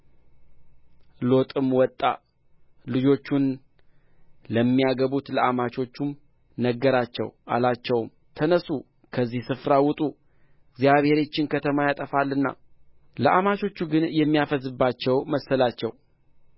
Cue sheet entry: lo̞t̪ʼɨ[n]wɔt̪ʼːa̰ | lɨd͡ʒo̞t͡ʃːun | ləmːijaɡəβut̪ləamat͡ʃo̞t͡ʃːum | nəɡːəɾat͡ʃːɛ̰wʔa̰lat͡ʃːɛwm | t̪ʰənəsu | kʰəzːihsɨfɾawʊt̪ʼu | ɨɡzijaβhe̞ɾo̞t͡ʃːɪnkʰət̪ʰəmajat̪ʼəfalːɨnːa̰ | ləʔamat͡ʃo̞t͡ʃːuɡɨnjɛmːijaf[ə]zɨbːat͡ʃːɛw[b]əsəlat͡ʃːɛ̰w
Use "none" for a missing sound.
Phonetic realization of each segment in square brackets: m, ə, m

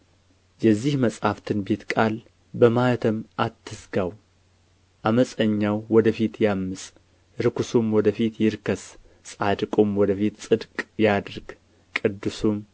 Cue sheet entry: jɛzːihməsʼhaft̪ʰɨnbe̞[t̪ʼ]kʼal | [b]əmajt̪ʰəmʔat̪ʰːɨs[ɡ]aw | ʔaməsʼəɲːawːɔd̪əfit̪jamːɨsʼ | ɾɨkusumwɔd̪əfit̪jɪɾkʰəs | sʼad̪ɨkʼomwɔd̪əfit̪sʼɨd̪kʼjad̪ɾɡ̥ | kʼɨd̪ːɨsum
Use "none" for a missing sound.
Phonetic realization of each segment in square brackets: t̪, b, ɡ

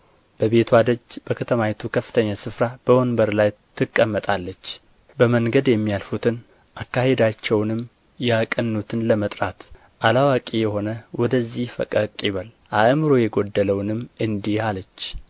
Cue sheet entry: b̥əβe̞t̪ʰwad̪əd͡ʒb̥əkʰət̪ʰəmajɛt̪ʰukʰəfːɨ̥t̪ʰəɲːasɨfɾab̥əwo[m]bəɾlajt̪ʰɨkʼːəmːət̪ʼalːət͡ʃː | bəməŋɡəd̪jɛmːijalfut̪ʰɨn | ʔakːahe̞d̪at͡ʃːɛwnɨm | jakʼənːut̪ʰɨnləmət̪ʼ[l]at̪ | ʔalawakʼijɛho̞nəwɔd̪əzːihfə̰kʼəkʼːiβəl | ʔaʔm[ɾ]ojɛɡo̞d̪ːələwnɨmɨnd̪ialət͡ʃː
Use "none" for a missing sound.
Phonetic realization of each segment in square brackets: n, ɾ, ɾ

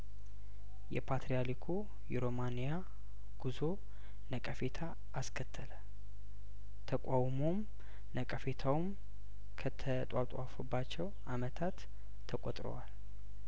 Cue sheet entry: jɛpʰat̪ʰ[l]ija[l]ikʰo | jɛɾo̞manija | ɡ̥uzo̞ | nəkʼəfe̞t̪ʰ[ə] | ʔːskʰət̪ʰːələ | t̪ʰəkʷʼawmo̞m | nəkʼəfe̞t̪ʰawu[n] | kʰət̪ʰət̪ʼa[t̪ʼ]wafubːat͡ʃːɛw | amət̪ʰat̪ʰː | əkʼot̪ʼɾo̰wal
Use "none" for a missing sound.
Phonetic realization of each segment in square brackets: ɾ, l, a, m, t̪ʼ

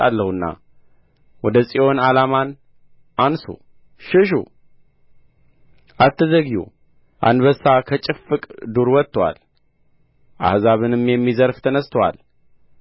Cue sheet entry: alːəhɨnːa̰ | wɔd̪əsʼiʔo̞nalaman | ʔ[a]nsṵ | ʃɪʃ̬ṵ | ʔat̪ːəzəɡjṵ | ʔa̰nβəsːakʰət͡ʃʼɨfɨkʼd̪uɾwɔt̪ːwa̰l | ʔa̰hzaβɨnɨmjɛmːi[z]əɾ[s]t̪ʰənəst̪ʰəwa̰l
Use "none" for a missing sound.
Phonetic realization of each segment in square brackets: a, z, f

